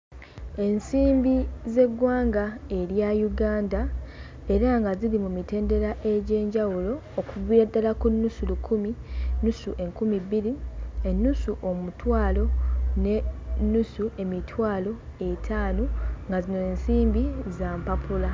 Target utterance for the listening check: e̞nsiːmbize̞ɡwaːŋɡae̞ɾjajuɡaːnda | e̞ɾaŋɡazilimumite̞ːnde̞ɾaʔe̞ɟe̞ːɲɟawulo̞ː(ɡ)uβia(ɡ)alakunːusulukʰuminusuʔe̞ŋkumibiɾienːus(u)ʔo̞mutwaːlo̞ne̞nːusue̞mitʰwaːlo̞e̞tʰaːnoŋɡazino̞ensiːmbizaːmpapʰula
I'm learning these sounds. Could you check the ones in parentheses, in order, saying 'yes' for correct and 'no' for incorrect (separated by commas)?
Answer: no, no, yes